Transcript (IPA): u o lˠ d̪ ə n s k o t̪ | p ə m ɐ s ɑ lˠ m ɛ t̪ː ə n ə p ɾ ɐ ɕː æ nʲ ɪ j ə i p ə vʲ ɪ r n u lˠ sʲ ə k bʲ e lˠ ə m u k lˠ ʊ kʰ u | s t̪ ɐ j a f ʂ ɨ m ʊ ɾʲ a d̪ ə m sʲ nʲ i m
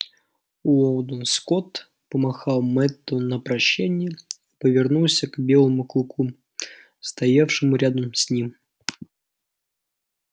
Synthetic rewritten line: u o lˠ d̪ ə n s k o t̪ | p ə m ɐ x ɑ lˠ m ɛ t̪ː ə n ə p ɾ ɐ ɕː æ nʲ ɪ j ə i p ə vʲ ɪ r n u lˠ sʲ ə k bʲ e lˠ ə m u k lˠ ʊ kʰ u | s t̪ ɐ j a f ʂ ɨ m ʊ ɾʲ a d̪ ə m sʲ nʲ i m